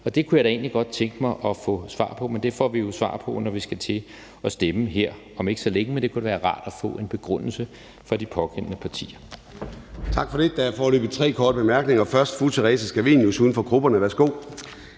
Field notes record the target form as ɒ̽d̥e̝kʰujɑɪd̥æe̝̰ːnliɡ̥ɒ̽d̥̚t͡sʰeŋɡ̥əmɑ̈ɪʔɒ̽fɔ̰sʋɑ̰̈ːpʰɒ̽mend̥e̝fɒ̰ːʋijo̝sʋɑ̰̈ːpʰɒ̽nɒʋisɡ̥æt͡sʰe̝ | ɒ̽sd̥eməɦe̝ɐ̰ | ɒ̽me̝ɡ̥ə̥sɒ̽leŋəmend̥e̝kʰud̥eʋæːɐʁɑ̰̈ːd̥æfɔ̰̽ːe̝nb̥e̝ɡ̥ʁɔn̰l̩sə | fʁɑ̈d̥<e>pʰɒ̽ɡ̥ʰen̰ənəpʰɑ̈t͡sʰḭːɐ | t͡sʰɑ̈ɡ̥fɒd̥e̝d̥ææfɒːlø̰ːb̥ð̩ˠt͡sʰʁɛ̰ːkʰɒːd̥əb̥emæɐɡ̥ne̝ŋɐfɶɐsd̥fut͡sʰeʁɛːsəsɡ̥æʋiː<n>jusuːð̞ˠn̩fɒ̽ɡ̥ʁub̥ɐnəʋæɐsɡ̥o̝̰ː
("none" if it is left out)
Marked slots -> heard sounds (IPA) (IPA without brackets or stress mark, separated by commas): i, n